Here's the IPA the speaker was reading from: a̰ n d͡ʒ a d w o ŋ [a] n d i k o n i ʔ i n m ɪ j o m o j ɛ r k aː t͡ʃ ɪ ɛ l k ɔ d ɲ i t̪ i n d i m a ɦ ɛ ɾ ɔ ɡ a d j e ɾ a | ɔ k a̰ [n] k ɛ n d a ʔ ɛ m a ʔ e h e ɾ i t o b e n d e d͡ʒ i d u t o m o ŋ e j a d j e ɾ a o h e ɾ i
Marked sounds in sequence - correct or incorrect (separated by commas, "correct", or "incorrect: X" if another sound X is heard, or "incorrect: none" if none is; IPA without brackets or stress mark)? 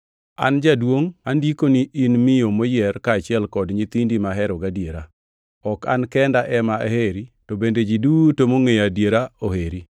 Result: correct, correct